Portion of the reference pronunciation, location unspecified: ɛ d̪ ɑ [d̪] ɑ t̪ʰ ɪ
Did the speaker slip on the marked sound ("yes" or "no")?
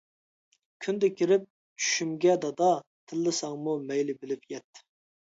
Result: no